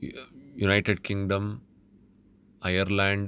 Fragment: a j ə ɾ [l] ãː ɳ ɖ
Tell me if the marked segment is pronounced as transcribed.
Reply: yes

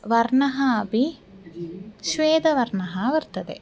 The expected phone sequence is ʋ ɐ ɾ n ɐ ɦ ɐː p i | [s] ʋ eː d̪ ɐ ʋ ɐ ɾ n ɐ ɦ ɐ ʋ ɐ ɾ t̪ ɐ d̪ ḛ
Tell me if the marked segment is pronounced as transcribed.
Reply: no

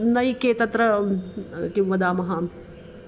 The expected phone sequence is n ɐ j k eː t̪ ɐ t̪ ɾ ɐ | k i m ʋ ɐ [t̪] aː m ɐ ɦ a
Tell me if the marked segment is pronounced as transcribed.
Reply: no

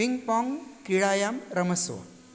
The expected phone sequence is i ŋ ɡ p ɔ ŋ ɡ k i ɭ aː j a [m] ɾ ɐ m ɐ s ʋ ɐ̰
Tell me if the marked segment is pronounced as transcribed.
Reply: yes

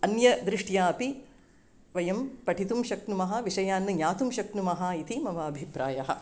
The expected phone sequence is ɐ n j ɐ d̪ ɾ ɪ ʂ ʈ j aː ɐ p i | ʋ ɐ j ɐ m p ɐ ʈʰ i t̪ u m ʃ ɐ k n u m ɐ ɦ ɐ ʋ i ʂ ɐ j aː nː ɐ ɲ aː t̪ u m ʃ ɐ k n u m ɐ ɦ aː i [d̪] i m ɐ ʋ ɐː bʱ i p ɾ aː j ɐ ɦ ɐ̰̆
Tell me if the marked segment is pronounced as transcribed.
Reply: no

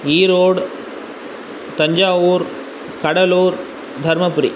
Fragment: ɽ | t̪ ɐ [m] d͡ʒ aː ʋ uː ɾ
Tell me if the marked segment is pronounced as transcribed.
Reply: no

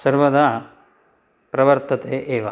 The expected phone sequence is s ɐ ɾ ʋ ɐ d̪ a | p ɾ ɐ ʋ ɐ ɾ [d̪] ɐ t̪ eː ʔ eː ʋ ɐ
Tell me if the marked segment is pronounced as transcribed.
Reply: no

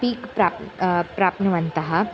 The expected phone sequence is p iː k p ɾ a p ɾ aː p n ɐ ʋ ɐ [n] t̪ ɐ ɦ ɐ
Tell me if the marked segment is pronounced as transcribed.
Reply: yes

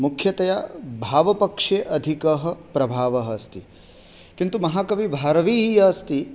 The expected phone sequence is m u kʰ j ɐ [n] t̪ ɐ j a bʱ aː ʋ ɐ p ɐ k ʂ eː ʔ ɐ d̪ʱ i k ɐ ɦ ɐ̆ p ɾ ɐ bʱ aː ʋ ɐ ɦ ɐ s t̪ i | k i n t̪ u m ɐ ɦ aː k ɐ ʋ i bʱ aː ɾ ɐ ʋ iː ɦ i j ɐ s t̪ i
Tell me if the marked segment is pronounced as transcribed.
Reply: no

